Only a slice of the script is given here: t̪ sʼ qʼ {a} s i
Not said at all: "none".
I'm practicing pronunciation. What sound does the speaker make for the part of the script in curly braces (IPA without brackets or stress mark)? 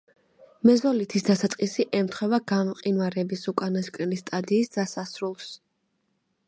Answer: i